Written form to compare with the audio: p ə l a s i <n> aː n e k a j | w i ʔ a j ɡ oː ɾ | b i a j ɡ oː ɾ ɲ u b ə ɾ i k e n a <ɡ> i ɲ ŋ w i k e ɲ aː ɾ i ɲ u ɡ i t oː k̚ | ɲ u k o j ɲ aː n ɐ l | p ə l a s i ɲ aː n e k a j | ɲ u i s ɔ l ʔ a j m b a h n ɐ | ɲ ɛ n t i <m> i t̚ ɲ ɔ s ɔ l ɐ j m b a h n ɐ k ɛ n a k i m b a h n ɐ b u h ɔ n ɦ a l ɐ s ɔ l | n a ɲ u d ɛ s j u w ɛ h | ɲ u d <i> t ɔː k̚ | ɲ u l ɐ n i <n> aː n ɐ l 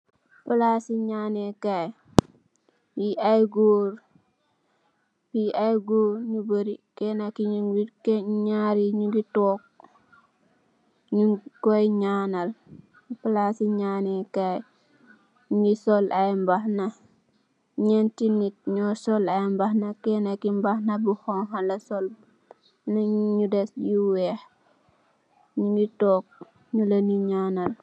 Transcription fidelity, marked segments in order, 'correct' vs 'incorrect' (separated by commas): incorrect, incorrect, incorrect, correct, incorrect